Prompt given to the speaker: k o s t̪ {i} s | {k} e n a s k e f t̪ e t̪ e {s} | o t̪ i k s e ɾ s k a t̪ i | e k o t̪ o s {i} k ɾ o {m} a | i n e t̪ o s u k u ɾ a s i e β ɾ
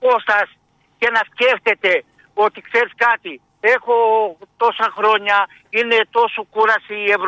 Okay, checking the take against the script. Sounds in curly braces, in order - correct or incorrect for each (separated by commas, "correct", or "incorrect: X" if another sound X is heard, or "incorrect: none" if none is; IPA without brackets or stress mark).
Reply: incorrect: a, correct, incorrect: none, incorrect: a, incorrect: ɲ